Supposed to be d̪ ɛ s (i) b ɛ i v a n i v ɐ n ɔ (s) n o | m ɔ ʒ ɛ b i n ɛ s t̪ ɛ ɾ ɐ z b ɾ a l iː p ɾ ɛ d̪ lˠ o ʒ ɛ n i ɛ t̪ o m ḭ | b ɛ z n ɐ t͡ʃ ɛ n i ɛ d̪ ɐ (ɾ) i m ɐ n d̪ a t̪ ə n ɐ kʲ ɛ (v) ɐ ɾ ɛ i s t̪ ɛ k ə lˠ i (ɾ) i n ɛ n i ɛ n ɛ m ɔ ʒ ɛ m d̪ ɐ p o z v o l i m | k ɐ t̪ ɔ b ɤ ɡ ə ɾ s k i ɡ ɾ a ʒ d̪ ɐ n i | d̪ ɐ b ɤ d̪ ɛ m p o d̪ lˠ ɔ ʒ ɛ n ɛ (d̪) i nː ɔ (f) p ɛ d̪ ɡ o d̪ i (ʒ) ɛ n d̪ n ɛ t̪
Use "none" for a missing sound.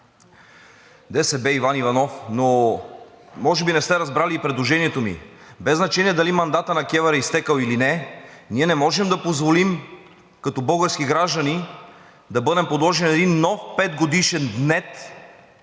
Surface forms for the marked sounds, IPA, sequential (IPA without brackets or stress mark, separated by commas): ɛ, f, l, v, l, d̪, f, ʃ